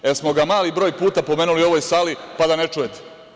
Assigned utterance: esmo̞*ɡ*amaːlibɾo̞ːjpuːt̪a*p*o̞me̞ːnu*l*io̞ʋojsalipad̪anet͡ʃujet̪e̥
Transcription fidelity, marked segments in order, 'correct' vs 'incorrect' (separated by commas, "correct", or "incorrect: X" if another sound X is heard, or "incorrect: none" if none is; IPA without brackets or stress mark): correct, correct, correct